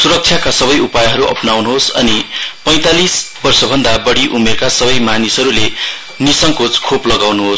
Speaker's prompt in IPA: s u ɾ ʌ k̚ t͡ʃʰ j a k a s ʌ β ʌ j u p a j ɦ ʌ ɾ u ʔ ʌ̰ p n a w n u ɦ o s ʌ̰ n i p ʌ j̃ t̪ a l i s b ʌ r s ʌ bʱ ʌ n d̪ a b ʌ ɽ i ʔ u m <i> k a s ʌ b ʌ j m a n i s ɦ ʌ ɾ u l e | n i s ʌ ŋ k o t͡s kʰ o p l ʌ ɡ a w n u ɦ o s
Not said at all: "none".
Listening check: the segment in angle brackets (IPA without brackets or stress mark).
e